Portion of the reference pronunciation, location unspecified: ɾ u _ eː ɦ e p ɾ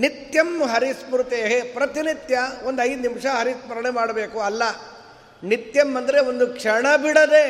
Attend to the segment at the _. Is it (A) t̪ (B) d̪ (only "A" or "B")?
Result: A